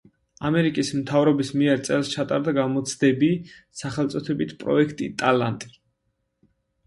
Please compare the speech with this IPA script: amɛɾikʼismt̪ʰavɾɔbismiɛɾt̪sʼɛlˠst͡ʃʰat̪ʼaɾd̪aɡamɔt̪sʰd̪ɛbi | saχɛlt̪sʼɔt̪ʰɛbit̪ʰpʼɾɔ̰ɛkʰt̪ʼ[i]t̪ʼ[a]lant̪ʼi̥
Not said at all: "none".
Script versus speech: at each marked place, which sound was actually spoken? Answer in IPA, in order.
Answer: i, a

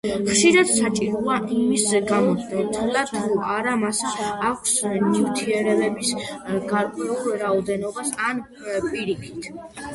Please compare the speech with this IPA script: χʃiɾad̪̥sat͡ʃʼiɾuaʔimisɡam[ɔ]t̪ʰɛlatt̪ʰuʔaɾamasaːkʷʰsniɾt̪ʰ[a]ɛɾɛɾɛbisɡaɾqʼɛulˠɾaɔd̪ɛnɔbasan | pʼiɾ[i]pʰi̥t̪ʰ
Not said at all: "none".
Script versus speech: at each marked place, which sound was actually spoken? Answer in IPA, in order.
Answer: ɔ, i, i

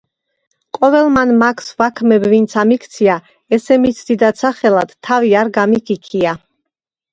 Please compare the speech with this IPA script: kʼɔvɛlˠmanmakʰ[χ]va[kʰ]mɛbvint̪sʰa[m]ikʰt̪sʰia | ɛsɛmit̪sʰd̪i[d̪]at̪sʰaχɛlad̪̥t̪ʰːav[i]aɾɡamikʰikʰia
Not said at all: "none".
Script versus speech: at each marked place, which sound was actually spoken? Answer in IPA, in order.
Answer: s, kʰ, m, d̪, i

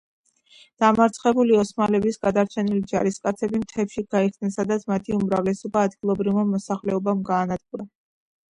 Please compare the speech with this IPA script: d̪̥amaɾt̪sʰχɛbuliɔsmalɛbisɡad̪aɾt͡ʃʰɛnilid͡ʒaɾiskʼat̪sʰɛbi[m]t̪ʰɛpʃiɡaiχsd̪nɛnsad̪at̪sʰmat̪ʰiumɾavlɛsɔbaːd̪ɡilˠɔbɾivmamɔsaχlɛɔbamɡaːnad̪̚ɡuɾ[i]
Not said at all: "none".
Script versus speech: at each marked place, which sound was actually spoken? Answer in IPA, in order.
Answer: m, a

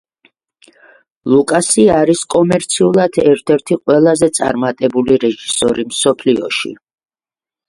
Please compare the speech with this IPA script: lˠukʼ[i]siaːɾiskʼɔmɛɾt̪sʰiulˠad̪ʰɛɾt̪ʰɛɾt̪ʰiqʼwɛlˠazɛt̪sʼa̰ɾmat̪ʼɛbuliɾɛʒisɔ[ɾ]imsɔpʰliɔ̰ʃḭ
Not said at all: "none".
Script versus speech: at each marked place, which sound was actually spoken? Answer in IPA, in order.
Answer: a, ɾ

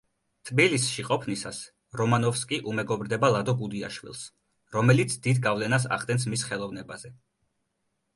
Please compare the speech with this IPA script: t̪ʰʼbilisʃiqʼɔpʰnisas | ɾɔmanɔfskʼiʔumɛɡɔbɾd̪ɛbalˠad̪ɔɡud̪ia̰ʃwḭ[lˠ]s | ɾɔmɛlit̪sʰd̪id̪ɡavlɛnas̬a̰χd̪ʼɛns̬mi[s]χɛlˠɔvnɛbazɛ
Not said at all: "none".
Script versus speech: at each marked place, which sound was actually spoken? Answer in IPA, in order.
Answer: lˠ, s

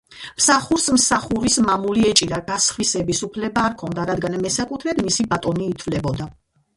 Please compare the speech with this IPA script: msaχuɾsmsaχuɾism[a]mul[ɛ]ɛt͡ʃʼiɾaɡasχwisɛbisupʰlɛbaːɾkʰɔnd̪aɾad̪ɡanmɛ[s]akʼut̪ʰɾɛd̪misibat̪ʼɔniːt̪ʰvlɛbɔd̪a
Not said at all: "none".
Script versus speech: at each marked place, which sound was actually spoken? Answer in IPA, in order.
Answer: a, i, s

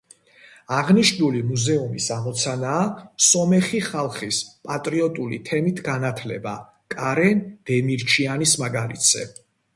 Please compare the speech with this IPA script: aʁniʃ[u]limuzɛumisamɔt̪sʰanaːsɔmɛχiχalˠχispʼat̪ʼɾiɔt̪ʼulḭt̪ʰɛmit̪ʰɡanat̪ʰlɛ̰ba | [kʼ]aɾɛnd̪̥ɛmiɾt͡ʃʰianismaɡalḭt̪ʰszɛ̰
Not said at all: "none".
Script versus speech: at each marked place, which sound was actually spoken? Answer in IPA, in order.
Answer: u, kʼ

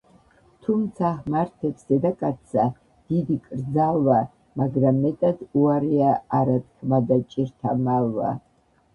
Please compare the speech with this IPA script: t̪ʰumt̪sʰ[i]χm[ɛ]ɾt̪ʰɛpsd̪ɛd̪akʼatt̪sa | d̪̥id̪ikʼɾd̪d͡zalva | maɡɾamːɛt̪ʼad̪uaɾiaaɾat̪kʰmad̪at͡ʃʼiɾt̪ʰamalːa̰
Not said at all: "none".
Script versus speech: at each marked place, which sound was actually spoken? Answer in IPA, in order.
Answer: a, a

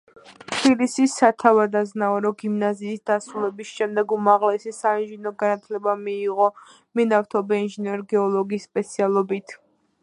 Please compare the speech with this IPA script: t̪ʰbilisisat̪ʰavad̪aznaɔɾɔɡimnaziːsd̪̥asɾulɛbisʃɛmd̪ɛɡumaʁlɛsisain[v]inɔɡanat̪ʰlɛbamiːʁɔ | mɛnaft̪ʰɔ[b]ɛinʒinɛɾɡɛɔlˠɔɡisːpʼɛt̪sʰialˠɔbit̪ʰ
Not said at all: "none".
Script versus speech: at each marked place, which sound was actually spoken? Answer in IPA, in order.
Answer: ʒ, b

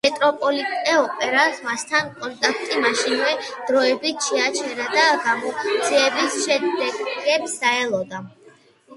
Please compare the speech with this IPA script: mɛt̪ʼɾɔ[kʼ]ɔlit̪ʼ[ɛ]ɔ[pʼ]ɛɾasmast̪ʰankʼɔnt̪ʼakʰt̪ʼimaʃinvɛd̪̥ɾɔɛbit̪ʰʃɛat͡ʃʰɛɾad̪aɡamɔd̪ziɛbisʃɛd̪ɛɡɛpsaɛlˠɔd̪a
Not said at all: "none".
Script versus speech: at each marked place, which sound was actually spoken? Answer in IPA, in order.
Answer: pʼ, ɛ, pʼ

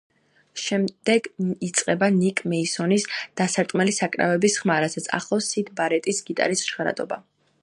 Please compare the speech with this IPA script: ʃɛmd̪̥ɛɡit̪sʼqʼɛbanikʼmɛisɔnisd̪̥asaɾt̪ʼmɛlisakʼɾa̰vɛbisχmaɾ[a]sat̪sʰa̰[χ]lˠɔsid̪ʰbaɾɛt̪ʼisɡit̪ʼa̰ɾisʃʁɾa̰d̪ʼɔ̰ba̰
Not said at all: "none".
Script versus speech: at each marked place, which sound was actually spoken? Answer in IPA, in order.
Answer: a, χ

